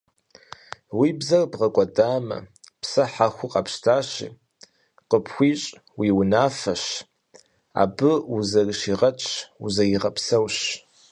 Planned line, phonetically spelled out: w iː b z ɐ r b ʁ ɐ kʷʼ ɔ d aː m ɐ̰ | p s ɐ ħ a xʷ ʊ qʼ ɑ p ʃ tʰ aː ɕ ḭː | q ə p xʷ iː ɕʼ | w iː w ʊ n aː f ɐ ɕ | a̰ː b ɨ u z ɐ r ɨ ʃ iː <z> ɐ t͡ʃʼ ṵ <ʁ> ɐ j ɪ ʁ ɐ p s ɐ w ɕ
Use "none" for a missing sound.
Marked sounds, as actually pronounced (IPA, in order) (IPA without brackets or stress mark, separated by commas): ʁ, z